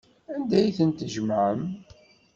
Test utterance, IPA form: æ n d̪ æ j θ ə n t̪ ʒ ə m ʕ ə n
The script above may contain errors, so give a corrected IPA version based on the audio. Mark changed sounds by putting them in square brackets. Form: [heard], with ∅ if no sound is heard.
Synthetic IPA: æ n d̪ æ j θ ə n t̪ ʒ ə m ʕ ə [m]